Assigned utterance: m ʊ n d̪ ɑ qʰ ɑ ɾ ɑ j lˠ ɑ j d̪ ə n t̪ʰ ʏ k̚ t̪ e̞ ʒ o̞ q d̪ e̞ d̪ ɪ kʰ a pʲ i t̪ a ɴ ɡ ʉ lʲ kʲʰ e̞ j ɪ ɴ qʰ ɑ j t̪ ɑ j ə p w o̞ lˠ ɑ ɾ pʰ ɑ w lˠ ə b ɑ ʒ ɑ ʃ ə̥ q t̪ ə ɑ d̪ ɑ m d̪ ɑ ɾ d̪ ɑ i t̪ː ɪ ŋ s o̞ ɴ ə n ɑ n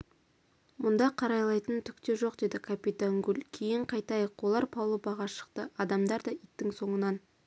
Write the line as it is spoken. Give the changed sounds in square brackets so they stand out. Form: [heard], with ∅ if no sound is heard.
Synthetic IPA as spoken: m ʊ n d̪ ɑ qʰ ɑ ɾ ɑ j lˠ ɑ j [t̪] ə n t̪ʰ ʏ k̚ t̪ e̞ ʒ o̞ q d̪ e̞ d̪ ɪ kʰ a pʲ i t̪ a [ŋ] ɡ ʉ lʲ kʲʰ e̞ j ɪ ɴ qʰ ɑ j t̪ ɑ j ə [q] w o̞ lˠ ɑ ɾ pʰ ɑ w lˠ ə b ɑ [ʁ] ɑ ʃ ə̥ q t̪ ə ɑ d̪ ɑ m d̪ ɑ ɾ d̪ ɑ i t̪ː ɪ ŋ s o̞ ɴ ə n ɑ n

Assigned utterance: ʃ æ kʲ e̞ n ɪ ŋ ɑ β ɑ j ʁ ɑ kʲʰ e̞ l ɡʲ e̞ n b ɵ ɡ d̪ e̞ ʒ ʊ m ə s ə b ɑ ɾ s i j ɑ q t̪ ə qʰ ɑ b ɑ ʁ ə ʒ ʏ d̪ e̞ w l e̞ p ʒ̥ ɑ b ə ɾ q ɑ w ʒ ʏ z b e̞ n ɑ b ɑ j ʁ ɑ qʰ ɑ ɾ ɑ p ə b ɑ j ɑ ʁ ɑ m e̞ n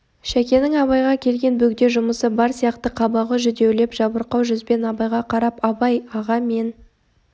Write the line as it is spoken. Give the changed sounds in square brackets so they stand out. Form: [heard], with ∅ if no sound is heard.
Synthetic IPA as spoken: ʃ æ kʲ e̞ n ɪ ŋ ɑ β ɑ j ʁ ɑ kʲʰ e̞ l ɡʲ e̞ n b ɵ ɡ d̪ e̞ ʒ ʊ m ə s ə b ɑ ɾ s i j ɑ q t̪ ə qʰ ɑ b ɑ ʁ ə ʒ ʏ d̪ e̞ w l e̞ p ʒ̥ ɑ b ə ɾ q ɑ w ʒ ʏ z b e̞ n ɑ b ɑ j ʁ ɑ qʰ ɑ ɾ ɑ p [ɑ] b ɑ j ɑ ʁ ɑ m e̞ n

